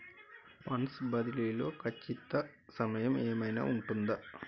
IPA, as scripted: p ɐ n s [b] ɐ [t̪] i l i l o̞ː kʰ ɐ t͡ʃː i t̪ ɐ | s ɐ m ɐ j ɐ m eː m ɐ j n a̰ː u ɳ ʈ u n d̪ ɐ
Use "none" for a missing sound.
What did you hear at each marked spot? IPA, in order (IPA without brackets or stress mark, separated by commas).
b, d̪